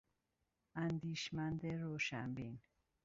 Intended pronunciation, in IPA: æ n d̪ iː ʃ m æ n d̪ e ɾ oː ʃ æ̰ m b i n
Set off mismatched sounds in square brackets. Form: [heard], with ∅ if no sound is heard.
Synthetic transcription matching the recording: æ n d̪ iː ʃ m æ n d̪ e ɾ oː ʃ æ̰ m b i n